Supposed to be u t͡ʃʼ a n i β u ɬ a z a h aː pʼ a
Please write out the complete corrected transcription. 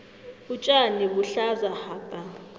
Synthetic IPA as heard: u t͡ʃʼ a n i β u ɬ a z a h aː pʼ a